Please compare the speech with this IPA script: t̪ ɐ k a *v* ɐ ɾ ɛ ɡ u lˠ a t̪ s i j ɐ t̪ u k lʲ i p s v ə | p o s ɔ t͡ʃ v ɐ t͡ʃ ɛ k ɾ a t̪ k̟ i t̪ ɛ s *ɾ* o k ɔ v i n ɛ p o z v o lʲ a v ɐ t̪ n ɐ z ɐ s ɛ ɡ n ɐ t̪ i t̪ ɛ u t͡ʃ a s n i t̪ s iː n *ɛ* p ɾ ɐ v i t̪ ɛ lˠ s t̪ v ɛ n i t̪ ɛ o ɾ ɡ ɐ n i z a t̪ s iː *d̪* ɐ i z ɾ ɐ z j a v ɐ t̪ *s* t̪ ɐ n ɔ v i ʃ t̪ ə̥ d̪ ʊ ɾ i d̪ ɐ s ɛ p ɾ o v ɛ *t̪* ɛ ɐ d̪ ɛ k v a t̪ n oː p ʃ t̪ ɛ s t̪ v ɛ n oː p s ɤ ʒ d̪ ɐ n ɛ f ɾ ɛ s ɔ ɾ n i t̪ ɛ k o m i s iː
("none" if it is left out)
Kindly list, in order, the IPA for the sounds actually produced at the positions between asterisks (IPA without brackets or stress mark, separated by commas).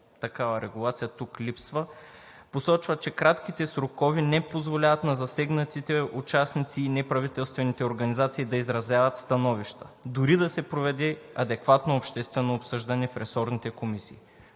v, ɾ, ɛ, d̪, s, d̪